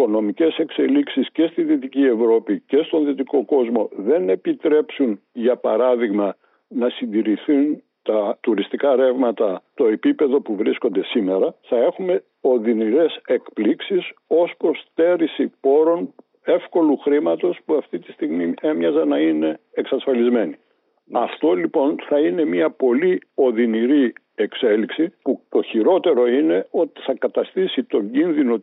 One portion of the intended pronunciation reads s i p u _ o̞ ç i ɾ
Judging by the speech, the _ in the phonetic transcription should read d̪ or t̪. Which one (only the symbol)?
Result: t̪